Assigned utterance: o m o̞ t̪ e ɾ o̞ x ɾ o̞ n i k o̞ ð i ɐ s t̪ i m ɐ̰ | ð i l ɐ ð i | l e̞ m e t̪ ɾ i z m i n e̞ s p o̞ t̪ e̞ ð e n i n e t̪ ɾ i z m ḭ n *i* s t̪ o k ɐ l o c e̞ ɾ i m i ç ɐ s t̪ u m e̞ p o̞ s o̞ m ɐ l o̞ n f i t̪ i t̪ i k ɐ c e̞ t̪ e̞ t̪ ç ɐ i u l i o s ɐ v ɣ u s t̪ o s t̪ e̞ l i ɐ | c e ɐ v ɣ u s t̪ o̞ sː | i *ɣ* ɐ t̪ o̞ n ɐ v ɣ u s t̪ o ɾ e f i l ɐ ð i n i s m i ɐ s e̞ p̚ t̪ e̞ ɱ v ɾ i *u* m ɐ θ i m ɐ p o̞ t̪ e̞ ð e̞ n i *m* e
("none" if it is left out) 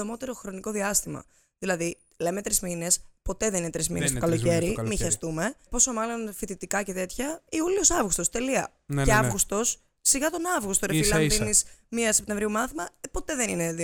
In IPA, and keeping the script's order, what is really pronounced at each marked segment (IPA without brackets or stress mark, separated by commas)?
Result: e, ɣ, u, n